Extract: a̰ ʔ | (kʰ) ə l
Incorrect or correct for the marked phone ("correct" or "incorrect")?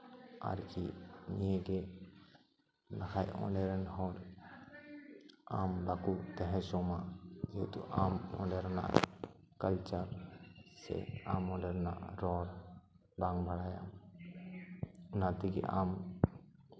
incorrect